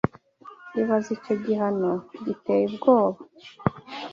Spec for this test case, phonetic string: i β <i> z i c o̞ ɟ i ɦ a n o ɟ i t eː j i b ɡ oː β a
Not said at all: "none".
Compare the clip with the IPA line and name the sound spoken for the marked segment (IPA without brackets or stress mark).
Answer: a